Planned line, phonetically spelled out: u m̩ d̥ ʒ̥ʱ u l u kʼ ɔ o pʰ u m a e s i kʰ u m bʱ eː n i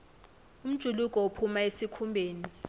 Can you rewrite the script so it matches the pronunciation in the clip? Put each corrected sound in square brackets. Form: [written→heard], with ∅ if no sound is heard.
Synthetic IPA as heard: u m̩ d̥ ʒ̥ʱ u l u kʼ ɔ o pʰ u m a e s i kʰ u m bʱ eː n i